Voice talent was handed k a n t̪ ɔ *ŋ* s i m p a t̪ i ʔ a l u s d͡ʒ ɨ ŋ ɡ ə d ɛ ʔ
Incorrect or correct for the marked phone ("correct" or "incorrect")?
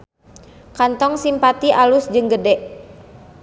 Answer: correct